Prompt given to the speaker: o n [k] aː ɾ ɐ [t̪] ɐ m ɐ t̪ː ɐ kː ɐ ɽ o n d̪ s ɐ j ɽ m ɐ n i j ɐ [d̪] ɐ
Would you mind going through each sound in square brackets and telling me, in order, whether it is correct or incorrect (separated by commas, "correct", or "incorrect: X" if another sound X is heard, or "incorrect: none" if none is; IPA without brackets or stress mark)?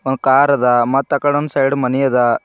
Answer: correct, incorrect: d̪, correct